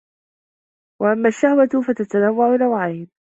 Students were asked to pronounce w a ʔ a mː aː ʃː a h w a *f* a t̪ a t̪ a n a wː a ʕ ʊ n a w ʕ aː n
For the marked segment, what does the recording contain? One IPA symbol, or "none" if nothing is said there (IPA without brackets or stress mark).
f